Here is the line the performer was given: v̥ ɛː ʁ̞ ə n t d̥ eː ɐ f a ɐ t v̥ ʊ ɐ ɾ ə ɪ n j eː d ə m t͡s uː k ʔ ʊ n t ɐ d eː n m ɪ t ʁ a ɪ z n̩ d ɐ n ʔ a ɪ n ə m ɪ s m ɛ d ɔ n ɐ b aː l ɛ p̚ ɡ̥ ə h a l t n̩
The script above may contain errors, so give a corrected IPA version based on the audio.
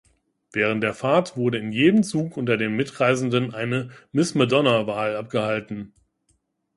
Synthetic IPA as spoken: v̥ ɛː ʁ̞ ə n t d̥ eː ɐ f a ɐ t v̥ ʊ ɐ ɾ ə ɪ n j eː d ə m t͡s uː k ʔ ʊ n t ɐ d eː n m ɪ t ʁ a ɪ z n̩ d ə n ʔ a ɪ n ə m ɪ s m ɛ d ɔ n ɐ v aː l a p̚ ɡ̥ ə h a l t n̩